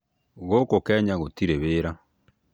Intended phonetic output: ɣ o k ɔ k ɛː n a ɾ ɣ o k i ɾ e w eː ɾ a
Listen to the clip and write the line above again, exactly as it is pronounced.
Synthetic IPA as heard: ɣ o k o k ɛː ɲ a ɣ o t i ɾ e β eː ɾ a